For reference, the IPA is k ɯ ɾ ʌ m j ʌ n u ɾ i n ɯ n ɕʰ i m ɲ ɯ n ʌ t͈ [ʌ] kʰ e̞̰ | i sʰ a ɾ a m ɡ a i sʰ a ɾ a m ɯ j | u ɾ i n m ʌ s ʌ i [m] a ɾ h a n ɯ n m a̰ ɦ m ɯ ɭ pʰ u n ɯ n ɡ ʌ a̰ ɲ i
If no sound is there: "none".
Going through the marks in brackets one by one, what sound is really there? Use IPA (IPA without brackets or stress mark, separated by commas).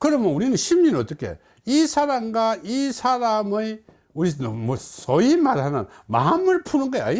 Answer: ʌ, m